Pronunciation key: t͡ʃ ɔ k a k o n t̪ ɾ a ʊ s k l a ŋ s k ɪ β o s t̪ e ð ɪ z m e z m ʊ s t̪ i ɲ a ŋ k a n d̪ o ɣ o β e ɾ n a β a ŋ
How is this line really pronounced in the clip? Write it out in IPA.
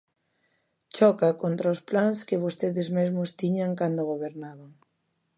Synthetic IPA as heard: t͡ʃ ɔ k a k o n t̪ ɾ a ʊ s p l a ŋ s k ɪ β o s t̪ e ð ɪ z m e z m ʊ s t̪ i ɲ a ŋ k a n d̪ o ɣ o β e ɾ n a β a ŋ